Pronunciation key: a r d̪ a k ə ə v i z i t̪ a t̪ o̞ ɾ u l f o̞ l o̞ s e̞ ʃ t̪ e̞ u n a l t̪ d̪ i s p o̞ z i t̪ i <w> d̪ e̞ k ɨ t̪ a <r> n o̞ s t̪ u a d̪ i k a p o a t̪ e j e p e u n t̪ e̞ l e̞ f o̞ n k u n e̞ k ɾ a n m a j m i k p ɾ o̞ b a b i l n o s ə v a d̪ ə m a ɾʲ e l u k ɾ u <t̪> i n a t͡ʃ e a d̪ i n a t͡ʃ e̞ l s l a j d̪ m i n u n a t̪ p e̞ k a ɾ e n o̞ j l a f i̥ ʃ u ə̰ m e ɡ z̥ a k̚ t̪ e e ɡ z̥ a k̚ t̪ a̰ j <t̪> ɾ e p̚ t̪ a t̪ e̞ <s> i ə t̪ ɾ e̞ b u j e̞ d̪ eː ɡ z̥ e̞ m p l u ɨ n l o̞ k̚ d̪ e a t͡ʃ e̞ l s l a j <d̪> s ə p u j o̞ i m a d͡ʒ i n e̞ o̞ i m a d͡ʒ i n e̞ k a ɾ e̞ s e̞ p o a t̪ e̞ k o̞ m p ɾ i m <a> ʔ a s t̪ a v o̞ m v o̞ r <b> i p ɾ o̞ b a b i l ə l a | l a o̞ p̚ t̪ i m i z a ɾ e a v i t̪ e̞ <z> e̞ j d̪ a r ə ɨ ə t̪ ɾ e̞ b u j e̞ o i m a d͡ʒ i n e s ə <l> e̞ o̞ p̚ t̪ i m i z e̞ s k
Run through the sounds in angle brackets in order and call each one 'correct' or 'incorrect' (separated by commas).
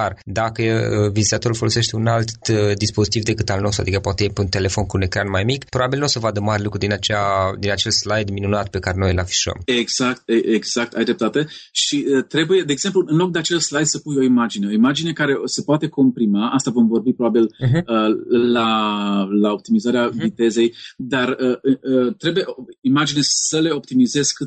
incorrect, incorrect, incorrect, incorrect, incorrect, correct, correct, correct, correct, correct